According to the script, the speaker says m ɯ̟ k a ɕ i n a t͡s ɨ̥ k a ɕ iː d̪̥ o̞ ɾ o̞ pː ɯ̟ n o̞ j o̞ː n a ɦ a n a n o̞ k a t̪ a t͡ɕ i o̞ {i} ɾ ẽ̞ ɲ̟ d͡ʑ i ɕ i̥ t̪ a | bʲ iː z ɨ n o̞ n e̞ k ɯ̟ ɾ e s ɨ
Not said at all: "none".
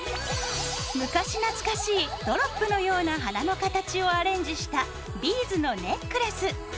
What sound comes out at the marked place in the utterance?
a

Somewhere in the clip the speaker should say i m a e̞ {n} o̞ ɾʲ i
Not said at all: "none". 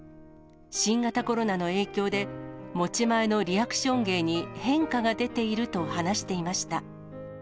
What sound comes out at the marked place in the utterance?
n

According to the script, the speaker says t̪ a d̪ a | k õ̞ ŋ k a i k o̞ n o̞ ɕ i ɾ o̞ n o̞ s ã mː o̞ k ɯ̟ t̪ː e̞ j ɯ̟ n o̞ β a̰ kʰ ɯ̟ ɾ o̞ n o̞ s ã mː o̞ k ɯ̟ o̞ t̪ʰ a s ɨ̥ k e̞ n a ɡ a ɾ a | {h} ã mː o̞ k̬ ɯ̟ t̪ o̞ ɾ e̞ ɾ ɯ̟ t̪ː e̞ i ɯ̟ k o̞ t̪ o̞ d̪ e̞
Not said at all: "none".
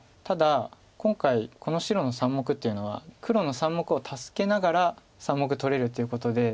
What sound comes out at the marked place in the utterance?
s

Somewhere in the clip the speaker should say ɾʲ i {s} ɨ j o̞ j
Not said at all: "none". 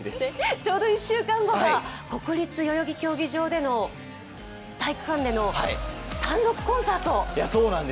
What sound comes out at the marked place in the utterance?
t͡s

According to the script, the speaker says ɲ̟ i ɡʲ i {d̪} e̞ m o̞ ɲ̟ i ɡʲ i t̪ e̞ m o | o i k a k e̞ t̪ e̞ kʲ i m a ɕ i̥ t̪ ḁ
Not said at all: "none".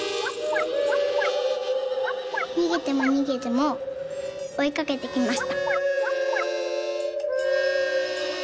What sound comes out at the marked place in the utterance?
t̪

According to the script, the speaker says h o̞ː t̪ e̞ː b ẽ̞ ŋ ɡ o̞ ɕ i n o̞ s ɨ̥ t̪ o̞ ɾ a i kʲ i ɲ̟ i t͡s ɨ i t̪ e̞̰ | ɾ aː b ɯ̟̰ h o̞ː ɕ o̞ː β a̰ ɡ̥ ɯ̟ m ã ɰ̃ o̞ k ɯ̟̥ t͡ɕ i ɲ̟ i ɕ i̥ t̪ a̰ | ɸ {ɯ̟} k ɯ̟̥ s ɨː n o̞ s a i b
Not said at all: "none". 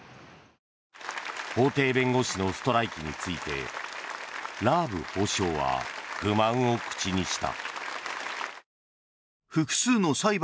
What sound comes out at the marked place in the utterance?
ɯ̟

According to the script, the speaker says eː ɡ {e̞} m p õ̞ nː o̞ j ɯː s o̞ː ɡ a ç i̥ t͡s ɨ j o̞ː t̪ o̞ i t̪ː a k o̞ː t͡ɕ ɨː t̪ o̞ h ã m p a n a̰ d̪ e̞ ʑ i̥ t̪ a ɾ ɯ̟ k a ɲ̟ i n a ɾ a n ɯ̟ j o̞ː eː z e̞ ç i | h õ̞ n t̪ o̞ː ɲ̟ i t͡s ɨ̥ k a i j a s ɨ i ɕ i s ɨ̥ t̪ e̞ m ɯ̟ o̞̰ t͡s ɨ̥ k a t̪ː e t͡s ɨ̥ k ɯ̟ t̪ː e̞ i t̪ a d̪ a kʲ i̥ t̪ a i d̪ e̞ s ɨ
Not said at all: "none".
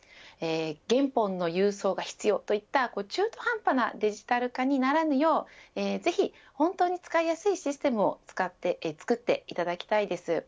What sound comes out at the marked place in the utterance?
ẽ̞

